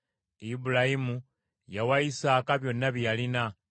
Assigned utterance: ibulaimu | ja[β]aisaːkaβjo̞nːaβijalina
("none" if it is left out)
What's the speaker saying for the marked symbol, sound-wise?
w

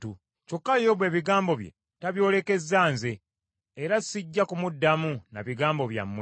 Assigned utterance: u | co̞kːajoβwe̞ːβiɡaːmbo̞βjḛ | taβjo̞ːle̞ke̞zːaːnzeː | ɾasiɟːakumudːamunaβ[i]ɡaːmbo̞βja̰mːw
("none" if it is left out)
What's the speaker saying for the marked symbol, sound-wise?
i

